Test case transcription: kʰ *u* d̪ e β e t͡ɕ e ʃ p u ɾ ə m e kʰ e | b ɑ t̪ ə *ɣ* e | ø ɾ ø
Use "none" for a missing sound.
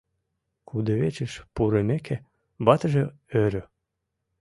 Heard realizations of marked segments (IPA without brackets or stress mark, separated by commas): u, ʒ